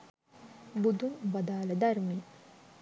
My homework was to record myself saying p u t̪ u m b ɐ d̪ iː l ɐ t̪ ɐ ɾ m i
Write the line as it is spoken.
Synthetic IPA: b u d̪ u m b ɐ d̪ aː l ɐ d̪ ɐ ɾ m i